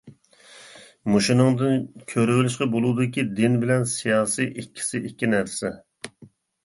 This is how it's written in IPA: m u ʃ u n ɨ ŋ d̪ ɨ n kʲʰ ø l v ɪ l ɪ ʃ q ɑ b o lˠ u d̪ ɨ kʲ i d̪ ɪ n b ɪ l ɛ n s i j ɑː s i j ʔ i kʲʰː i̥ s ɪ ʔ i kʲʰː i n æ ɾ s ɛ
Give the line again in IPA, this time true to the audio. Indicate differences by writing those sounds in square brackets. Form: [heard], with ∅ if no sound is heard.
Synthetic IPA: m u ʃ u n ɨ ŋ d̪ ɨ n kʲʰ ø [ɾ] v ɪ l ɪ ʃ q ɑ b o lˠ u d̪ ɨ kʲ i d̪ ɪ n b ɪ l ɛ n s i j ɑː s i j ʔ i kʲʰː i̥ s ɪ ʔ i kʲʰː i n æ ɾ s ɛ